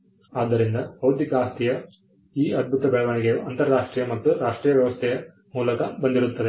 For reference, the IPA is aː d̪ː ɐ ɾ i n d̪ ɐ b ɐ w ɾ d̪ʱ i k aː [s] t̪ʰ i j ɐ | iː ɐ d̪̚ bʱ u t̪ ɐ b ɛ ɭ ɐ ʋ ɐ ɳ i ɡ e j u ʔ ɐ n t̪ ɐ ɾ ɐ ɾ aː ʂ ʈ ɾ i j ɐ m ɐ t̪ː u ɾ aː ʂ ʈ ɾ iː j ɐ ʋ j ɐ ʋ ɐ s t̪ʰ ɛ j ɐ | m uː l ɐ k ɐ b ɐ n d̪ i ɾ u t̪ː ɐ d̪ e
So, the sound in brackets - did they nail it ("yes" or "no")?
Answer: yes